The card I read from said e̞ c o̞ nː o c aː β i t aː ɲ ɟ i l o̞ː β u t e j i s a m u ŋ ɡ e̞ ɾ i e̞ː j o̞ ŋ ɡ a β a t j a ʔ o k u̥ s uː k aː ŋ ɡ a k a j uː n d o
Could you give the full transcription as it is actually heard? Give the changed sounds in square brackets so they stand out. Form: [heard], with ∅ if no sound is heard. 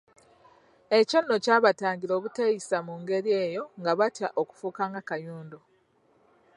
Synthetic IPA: e̞ c o̞ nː o c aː β [a] t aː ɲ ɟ i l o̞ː β u t e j i s a m u ŋ ɡ e̞ ɾ i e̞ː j o̞ ŋ ɡ a β a t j a ʔ o k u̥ [f] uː k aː ŋ ɡ a k a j uː n d o